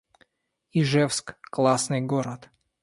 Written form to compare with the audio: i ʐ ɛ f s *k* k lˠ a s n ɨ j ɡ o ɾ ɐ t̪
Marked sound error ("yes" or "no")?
no